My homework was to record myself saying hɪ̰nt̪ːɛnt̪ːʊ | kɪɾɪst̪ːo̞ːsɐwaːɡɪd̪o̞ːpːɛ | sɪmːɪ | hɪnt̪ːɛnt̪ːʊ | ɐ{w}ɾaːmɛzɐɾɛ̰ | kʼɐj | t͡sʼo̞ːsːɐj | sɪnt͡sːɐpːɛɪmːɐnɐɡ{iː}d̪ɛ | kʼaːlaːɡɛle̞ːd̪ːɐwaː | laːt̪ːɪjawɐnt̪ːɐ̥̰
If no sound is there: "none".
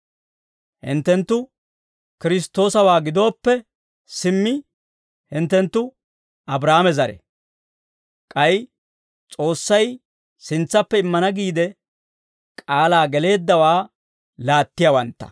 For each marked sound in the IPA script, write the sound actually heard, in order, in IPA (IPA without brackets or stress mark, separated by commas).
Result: b, iː